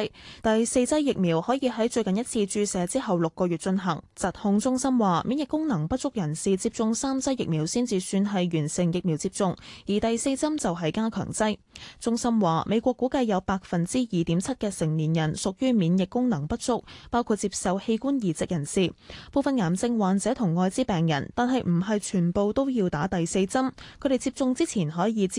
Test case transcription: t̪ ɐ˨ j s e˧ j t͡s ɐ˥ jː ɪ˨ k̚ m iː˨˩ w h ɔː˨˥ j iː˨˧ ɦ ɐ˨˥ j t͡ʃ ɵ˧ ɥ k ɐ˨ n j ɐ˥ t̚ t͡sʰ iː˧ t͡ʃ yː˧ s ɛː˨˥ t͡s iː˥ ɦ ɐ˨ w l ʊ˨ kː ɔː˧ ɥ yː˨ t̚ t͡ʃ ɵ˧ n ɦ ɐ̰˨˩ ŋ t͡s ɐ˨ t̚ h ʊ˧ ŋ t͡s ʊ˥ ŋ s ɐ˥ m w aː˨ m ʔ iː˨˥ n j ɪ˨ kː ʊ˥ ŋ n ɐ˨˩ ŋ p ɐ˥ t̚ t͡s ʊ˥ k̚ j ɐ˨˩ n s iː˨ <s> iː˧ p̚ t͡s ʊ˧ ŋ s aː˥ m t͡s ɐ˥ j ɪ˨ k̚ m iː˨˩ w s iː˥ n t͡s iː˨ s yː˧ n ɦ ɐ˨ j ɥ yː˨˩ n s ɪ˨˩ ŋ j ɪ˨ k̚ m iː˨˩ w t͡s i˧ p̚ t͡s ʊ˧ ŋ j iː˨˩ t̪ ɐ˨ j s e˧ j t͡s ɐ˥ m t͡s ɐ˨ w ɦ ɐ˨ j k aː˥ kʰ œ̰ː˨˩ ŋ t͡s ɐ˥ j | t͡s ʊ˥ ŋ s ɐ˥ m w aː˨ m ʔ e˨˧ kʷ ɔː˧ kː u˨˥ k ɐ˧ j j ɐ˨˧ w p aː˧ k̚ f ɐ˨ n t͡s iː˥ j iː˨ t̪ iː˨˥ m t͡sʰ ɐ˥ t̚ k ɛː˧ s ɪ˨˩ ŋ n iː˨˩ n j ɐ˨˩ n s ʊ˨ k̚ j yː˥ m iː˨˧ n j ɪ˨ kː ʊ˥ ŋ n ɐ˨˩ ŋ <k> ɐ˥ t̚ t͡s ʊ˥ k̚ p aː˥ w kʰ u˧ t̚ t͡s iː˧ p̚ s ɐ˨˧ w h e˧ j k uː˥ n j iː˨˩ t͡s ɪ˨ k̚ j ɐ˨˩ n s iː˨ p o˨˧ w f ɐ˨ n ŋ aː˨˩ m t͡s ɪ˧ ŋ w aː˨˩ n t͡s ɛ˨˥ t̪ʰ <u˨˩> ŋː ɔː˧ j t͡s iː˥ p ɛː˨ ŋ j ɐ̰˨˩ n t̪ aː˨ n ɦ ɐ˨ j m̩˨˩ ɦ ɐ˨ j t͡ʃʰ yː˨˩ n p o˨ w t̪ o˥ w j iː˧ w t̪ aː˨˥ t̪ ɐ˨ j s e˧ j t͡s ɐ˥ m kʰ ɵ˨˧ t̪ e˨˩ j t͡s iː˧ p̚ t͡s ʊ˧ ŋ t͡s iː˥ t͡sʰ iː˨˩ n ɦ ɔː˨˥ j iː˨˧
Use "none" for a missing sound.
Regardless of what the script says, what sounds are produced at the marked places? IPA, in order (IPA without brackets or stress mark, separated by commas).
t͡s, p, ʊ˨˩